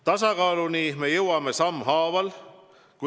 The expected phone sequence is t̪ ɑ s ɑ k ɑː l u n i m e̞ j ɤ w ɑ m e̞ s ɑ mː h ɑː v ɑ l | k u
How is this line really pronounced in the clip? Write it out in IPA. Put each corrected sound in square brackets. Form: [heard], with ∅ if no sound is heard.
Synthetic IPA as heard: t̪ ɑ s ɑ k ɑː l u n i m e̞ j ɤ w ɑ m e̞ s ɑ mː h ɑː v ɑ l | k u